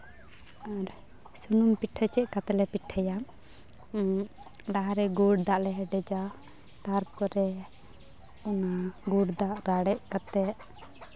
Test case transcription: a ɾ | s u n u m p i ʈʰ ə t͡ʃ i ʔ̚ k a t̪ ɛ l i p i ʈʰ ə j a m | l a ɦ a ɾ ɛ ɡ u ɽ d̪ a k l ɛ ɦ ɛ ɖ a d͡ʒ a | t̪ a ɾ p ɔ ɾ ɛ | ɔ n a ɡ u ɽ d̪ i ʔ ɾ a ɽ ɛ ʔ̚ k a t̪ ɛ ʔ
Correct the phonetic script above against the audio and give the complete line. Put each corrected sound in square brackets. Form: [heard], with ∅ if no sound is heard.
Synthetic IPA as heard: a ɾ | s u n u m p i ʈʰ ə t͡ʃ [ɛ] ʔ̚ k a t̪ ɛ l [ɛ] p i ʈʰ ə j a m | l a ɦ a ɾ ɛ ɡ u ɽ d̪ a [ʔ] l ɛ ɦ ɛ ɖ [ɛ] d͡ʒ a | t̪ a ɾ p ɔ ɾ ɛ | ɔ n a ɡ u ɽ d̪ [a] ʔ ɾ a ɽ ɛ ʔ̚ k a t̪ ɛ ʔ

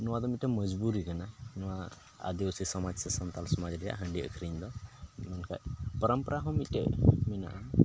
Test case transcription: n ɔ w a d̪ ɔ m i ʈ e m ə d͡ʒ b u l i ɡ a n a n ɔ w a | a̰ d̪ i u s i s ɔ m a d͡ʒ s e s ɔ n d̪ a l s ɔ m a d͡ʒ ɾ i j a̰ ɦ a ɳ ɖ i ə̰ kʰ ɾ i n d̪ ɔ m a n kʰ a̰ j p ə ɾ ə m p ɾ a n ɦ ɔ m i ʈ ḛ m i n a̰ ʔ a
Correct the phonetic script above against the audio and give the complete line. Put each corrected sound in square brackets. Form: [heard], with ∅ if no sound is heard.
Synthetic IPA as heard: n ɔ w a d̪ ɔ m i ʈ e m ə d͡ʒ b u [ɾ] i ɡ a n a n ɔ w a | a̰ d̪ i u s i s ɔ m a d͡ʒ s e s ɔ n [t̪] a l s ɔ m a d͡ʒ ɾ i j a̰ ɦ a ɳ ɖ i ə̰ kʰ ɾ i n d̪ ɔ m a n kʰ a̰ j p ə ɾ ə m p ɾ a [∅] ɦ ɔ m i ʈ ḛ m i n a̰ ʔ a

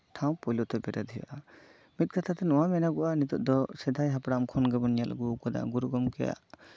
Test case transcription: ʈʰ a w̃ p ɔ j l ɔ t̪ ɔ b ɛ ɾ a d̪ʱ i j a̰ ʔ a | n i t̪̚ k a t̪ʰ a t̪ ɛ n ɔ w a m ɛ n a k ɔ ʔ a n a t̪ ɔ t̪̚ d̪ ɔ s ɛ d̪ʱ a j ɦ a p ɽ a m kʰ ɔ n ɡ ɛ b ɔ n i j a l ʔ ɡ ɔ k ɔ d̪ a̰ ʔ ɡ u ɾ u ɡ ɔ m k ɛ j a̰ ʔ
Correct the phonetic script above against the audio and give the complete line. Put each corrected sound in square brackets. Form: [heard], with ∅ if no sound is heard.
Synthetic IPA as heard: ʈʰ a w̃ p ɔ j l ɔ t̪ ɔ b ɛ ɾ a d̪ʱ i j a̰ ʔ a | [m] i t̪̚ k a t̪ʰ a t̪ ɛ n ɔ w a m ɛ n a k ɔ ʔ a n [i] t̪ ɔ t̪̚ d̪ ɔ s ɛ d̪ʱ a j ɦ a p ɽ a m kʰ ɔ n ɡ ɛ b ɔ n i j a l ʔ ɡ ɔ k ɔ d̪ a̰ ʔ ɡ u ɾ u ɡ ɔ m k ɛ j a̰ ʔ

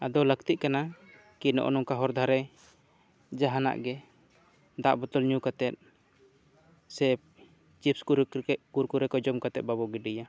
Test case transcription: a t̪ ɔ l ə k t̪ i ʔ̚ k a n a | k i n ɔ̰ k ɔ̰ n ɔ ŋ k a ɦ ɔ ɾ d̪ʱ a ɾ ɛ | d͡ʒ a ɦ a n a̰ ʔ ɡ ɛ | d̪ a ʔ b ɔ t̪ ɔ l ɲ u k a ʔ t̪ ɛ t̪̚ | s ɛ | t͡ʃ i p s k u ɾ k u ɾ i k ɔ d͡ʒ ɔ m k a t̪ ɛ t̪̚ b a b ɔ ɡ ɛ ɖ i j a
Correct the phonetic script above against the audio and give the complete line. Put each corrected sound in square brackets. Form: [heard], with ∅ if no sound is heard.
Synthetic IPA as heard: a [d̪] ɔ l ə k t̪ i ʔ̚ k a n a | k i n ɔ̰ [ʔ] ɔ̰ n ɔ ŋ k a ɦ ɔ ɾ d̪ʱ a ɾ ɛ | d͡ʒ a ɦ a n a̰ ʔ ɡ ɛ | d̪ a ʔ b ɔ t̪ ɔ l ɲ u k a [∅] t̪ ɛ t̪̚ | s ɛ | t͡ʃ i p s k u ɾ k u ɾ [ɛ] k ɔ d͡ʒ ɔ m k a t̪ ɛ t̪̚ b a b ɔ ɡ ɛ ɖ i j a

